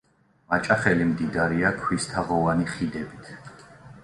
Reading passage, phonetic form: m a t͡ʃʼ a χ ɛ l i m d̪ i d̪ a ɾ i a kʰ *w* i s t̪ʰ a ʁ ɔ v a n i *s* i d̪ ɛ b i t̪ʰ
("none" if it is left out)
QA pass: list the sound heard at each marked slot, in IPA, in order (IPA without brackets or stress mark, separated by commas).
w, χ